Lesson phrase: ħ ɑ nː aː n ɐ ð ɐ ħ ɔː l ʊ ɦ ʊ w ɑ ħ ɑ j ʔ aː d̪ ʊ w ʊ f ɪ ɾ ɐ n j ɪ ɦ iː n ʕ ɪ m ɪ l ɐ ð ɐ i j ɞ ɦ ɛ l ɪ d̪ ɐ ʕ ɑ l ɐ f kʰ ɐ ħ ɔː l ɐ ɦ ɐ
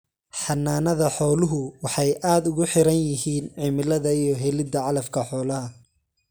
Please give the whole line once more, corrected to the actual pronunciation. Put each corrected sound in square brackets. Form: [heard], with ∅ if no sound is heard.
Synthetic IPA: ħ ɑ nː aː n ɐ ð ɐ ħ ɔː l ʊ ɦ ʊ w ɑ ħ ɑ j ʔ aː d̪ ʊ [ɣ] ʊ [ħ] ɪ ɾ ɐ n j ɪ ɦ iː n ʕ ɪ m ɪ l ɐ ð ɐ i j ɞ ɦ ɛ l ɪ d̪ ɐ ʕ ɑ l ɐ f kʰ ɐ ħ ɔː l ɐ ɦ ɐ